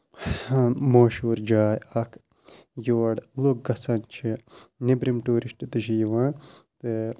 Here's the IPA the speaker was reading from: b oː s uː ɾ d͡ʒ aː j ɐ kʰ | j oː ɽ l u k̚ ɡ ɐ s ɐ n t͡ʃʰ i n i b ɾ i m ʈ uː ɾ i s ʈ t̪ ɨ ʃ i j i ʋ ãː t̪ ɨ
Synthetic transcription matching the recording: m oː ʃ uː ɾ d͡ʒ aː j ɐ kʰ | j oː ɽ l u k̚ ɡ ɐ s ɐ n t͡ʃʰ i n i b ɾ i m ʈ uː ɾ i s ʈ t̪ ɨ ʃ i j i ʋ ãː t̪ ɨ